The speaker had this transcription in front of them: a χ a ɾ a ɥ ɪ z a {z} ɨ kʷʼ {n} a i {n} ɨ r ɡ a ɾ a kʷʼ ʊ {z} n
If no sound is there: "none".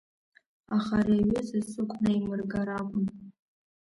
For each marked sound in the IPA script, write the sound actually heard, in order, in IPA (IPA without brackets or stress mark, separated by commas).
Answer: s, n, m, none